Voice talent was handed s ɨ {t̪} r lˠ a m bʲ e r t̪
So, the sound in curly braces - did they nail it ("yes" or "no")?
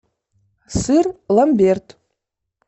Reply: no